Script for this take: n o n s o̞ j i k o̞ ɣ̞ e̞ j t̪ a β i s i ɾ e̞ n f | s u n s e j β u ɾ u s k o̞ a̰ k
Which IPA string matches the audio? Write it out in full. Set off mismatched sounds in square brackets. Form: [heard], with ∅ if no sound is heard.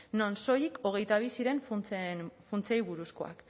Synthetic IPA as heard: n o n s o̞ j i k o̞ ɣ̞ e̞ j t̪ a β i s i ɾ e̞ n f | [f] u n [t͡s] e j β u ɾ u s k o̞ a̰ k